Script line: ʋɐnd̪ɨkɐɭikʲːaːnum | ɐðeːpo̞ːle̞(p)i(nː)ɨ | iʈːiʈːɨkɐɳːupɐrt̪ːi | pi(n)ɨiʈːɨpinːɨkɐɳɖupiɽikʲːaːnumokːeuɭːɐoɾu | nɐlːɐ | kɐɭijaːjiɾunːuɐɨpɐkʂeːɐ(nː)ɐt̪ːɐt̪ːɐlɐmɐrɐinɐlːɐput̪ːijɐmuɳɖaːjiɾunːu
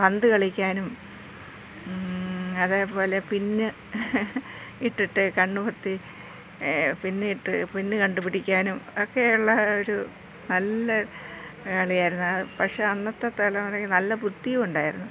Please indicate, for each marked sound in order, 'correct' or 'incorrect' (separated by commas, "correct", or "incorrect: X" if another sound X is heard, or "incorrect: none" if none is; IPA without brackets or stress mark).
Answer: correct, correct, incorrect: nː, correct